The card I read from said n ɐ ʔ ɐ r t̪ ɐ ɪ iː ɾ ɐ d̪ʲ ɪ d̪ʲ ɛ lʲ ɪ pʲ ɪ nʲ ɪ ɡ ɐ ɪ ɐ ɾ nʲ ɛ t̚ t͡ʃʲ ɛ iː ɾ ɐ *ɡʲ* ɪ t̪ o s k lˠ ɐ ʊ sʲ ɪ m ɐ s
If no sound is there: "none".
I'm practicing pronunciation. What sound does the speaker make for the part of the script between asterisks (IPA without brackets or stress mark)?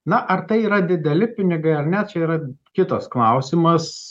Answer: kʲ